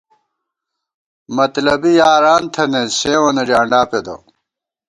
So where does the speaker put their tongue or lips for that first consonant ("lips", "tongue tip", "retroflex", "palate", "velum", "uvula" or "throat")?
lips